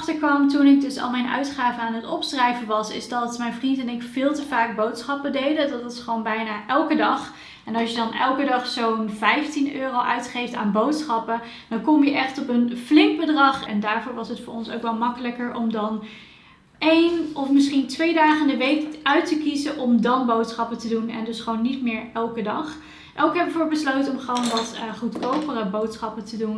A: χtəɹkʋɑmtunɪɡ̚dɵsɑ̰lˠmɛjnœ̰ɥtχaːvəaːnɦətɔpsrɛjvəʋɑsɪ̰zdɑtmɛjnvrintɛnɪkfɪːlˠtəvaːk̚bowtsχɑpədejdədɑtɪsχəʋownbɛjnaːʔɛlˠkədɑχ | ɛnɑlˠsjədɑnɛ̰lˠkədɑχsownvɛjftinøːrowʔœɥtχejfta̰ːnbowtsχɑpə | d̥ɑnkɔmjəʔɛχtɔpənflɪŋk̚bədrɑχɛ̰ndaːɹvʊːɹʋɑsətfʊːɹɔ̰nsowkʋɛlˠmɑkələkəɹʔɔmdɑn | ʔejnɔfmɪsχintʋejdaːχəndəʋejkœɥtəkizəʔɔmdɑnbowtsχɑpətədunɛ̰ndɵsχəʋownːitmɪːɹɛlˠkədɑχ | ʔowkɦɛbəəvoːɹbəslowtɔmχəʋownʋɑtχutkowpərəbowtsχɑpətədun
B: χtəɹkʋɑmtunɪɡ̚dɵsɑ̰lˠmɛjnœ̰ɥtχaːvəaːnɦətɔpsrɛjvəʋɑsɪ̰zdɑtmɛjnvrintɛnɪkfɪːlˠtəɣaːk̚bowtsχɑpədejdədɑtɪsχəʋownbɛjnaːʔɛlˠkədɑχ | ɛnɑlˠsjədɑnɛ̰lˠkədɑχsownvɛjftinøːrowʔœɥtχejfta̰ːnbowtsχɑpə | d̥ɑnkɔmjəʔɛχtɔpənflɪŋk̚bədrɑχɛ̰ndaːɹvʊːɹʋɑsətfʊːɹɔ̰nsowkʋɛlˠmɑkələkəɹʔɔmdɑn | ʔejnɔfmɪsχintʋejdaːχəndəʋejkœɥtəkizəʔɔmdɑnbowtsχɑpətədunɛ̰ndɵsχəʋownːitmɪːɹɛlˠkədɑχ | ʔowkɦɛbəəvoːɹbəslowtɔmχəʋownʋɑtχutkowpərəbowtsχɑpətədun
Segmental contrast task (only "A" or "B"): A